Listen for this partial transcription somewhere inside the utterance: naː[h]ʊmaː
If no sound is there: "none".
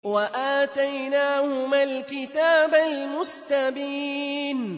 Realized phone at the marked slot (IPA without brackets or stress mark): h